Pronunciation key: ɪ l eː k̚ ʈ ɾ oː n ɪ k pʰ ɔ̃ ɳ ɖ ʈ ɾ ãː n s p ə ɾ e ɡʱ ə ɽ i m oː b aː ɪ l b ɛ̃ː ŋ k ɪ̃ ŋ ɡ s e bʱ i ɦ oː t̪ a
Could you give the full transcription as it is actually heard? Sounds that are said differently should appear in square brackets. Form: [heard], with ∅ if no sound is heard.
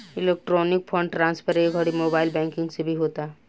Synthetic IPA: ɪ l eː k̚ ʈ ɾ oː n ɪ k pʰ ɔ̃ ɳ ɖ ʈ ɾ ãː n s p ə ɾ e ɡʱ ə ɽ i m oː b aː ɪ l b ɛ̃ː ŋ k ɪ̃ ŋ ɡ s e bʱ i ɦ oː t̪ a